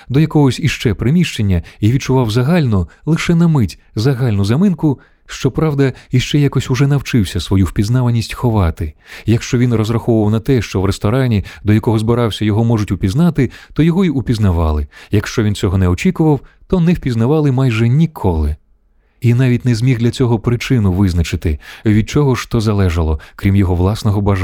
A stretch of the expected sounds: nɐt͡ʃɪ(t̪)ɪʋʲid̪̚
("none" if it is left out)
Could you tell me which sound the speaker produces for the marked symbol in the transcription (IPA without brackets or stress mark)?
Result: t̪